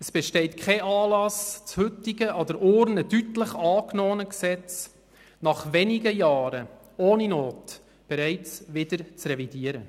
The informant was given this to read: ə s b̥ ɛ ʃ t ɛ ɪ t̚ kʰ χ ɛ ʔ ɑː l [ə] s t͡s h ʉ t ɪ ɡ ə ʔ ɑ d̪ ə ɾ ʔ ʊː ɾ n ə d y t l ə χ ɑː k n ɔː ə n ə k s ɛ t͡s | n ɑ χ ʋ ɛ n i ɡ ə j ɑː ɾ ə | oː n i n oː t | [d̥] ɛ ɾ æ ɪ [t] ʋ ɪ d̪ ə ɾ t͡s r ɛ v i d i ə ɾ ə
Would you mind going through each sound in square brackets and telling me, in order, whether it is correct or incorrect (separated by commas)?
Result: incorrect, incorrect, incorrect